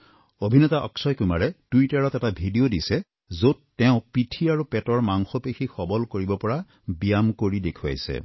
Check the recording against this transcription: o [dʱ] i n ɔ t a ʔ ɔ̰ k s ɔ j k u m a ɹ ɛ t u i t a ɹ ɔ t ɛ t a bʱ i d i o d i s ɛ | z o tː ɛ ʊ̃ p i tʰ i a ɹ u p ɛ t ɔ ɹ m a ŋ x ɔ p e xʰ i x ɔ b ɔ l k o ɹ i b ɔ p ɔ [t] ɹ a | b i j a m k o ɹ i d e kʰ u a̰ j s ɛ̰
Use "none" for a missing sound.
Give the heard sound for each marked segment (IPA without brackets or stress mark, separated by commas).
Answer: bʱ, none